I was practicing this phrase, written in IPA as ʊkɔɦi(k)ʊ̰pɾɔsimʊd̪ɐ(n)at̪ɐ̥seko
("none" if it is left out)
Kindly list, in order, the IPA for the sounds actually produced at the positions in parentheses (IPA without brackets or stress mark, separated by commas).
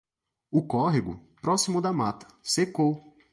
ɡ, m